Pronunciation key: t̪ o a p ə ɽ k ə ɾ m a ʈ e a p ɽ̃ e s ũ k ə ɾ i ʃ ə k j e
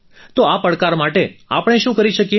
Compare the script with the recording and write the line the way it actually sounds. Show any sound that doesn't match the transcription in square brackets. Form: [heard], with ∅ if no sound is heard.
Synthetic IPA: t̪ o a p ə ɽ k [a] ɾ m a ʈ e a p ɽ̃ e [ʃ] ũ k ə ɾ i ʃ ə k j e